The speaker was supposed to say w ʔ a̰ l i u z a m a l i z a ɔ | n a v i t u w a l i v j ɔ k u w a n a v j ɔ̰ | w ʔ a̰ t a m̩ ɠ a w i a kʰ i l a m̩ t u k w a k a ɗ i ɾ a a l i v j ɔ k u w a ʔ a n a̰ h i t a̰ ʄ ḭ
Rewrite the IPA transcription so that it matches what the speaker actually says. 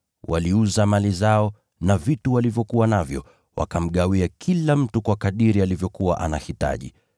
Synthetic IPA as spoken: w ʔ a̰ l i u z a m a l i z a ɔ | n a v i t u w a l i v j ɔ k u w a n a v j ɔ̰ | w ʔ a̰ k a m̩ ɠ a w i a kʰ i l a m̩ t u k w a k a ɗ i ɾ i a l i v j ɔ k u w a ʔ a n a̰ h i t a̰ ʄ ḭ